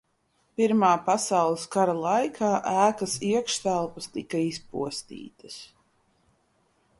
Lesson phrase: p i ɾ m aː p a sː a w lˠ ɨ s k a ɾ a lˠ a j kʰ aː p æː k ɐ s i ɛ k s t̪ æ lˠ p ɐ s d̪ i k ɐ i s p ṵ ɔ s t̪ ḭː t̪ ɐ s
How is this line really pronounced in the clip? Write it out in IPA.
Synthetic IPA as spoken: p i ɾ m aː p a s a w lˠ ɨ s k a ɾ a lˠ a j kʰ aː ʔ æː k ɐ s i ɛ k ʃ t̪ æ lˠ p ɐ s t̪ i k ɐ i s p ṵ ɔ s t̪ ḭː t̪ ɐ s